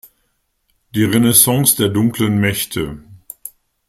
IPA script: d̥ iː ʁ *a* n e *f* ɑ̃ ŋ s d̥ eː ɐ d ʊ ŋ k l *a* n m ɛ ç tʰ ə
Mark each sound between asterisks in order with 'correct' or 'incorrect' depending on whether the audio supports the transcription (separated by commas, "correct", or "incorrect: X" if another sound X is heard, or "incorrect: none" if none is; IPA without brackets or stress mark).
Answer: incorrect: e, incorrect: s, incorrect: ə